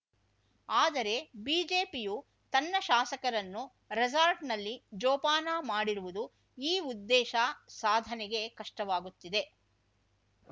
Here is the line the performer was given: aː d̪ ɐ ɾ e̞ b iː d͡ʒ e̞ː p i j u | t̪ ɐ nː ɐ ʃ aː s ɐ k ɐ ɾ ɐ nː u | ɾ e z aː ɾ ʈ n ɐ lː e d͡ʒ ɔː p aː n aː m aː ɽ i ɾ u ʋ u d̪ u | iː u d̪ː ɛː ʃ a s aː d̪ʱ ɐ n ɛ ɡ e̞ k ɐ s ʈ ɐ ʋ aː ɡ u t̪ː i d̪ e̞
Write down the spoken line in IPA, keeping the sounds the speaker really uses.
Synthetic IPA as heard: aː d̪ ɐ ɾ e̞ b iː d͡ʒ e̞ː p i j u | t̪ ɐ nː ɐ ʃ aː s ɐ k ɐ ɾ ɐ nː u | ɾ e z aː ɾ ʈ n ɐ lː i d͡ʒ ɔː p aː n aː m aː ɽ i ɾ u ʋ u d̪ u | iː u d̪ː ɛː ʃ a s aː d̪ʱ ɐ n ɛ ɡ e̞ k ɐ ʂ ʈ ɐ ʋ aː ɡ u t̪ː i d̪ e̞